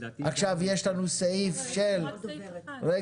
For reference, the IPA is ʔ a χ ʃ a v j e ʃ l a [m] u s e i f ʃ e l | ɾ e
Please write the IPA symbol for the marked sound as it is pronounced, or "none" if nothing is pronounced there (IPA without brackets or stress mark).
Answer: n